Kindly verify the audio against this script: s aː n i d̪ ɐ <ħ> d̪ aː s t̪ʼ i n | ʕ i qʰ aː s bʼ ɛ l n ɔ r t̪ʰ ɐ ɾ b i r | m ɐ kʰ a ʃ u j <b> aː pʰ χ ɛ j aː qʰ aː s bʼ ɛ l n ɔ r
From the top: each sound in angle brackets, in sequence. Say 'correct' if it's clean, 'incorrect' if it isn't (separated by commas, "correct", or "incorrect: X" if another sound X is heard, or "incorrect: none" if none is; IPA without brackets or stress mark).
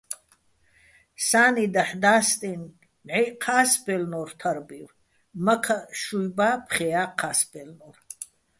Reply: correct, correct